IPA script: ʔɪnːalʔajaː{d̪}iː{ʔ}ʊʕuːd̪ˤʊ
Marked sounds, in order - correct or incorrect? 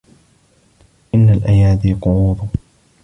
correct, incorrect: q

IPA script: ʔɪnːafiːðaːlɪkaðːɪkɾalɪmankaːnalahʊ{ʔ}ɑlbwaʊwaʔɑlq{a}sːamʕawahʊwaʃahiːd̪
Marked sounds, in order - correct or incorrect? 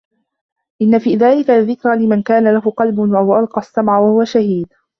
incorrect: q, incorrect: ɑ

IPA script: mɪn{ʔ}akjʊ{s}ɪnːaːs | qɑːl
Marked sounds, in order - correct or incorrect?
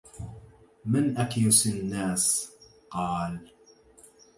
correct, correct

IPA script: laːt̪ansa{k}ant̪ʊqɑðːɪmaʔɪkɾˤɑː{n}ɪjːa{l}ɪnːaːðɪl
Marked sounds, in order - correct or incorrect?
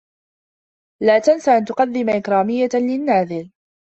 incorrect: ʔ, incorrect: m, correct

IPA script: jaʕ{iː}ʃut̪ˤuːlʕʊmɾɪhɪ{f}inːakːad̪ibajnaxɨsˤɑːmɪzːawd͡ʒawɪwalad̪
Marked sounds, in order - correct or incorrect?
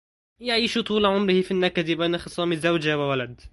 correct, correct

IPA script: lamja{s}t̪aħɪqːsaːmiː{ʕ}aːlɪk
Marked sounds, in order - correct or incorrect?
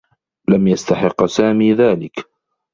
correct, incorrect: ð

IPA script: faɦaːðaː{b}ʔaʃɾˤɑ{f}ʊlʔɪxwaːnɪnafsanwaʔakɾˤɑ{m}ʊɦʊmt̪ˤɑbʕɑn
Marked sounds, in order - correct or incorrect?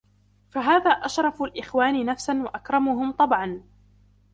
incorrect: none, correct, correct

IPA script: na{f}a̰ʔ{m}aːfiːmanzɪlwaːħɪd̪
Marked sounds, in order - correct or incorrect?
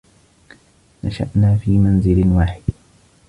incorrect: ʃ, incorrect: n

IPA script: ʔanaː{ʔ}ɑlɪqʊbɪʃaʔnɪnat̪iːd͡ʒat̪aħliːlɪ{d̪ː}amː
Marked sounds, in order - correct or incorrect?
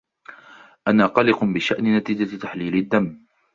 incorrect: q, correct

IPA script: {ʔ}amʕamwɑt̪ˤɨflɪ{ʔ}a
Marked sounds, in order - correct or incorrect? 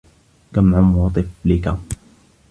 incorrect: k, incorrect: k

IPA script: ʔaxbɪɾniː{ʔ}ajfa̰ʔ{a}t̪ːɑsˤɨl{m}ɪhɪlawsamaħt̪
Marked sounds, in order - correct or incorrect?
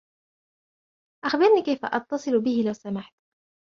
incorrect: k, incorrect: ɑ, incorrect: b

